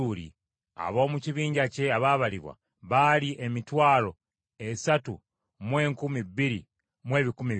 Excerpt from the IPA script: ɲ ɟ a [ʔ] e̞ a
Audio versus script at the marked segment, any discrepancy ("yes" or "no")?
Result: yes